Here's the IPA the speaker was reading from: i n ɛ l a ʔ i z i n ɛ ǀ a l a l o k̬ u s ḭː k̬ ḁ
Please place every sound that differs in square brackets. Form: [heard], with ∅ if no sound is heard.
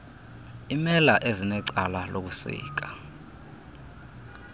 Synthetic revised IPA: i [m] ɛ l a ʔ [e] z i n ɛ ǀ a l a l o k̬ u s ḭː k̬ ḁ